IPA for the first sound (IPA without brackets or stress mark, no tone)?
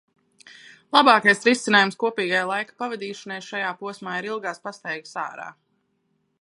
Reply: lˠ